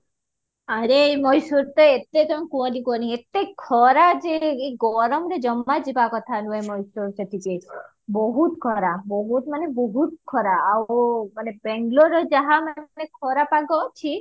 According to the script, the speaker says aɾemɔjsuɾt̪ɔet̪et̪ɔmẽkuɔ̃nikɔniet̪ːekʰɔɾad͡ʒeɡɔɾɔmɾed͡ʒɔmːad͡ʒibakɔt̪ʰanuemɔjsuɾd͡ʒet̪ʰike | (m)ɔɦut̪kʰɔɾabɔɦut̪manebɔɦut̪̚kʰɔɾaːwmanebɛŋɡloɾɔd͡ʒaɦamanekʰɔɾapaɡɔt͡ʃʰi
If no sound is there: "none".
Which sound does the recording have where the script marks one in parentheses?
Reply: b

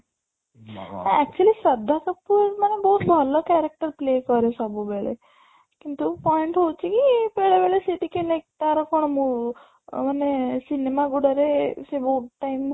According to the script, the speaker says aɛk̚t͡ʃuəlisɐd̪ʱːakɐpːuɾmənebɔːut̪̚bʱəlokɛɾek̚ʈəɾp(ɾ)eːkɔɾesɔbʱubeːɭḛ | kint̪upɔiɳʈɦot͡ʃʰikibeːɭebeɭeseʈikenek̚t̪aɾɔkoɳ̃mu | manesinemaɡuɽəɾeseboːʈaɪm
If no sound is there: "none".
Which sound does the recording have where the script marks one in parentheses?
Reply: l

